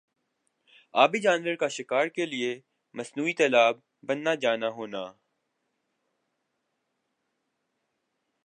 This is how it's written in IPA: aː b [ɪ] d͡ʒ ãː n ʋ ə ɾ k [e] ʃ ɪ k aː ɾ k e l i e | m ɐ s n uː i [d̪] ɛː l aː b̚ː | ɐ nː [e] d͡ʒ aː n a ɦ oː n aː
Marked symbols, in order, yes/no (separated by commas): no, no, no, no